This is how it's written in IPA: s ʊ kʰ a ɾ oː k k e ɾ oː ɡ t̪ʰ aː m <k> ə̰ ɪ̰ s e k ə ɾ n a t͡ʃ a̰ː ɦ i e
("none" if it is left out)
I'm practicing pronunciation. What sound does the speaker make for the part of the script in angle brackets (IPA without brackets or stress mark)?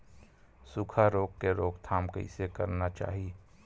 k